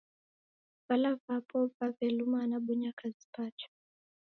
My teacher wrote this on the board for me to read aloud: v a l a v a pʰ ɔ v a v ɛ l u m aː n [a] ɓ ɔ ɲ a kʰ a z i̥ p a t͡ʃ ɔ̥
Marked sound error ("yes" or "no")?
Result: no